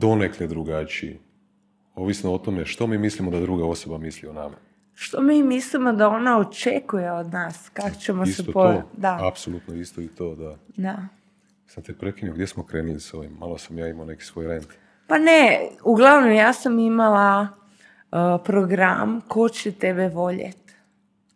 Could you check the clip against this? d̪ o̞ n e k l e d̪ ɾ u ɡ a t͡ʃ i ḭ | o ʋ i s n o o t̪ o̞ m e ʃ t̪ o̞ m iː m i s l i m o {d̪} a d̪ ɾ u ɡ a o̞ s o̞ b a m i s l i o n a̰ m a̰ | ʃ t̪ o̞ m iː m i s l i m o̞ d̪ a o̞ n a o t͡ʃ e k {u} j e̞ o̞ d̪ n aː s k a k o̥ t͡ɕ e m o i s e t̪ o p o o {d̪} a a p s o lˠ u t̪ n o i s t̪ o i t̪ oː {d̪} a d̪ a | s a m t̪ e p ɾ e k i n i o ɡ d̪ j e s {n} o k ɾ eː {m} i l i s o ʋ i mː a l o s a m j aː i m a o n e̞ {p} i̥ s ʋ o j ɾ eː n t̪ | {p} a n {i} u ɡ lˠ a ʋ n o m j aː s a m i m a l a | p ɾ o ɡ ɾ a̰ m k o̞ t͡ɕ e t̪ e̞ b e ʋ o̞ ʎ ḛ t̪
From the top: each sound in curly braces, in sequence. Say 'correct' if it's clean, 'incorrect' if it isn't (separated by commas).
correct, correct, correct, correct, incorrect, incorrect, incorrect, correct, incorrect